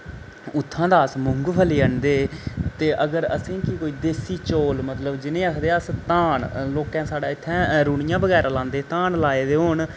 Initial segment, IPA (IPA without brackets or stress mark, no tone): ʊ